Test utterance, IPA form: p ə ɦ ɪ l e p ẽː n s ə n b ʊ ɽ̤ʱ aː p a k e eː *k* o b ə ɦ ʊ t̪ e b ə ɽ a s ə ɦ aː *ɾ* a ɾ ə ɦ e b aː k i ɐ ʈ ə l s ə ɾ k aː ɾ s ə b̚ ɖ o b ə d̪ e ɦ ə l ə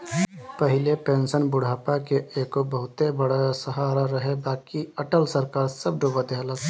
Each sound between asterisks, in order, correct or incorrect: correct, correct

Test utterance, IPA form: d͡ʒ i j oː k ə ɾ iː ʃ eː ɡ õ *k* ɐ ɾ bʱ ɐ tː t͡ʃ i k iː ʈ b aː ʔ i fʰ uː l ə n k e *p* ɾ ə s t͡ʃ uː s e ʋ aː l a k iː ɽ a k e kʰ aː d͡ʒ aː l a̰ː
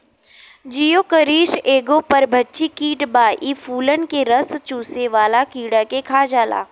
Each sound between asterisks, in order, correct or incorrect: incorrect: p, incorrect: none

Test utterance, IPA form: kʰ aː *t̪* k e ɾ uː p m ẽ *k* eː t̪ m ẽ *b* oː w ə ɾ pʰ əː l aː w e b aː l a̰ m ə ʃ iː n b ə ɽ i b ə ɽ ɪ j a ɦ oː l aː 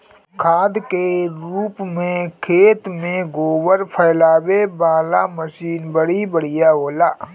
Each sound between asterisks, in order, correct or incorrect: incorrect: d̪, incorrect: kʰ, incorrect: ɡ

